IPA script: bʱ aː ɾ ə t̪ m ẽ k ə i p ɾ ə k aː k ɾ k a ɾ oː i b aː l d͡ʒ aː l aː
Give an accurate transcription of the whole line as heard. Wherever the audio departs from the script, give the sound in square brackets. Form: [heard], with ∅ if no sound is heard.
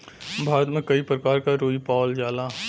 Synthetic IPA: bʱ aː ɾ ə t̪ m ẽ k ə i p ɾ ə k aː [∅] ɾ k a ɾ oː i [p] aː l d͡ʒ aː l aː